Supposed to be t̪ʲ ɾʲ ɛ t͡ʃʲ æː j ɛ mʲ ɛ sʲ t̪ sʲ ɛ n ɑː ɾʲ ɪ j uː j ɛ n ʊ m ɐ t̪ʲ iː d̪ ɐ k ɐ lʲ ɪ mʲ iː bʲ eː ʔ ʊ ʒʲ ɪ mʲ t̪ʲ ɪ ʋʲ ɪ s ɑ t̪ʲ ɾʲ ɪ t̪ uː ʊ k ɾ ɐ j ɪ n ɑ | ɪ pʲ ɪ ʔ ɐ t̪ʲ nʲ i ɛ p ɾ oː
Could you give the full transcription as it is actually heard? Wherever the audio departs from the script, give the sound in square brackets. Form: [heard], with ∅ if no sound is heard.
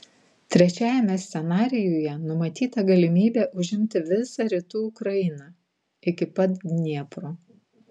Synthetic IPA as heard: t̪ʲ ɾʲ ɛ t͡ʃʲ æː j ɛ mʲ ɛ sʲ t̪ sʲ ɛ n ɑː ɾʲ ɪ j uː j ɛ n ʊ m ɐ t̪ʲ iː [t̪] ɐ [ɡ] ɐ lʲ ɪ mʲ iː bʲ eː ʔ ʊ ʒʲ ɪ mʲ t̪ʲ ɪ ʋʲ ɪ s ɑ [∅] ɾʲ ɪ t̪ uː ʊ k ɾ ɐ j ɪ n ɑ | ɪ [kʲ] ɪ [p] ɐ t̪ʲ nʲ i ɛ p ɾ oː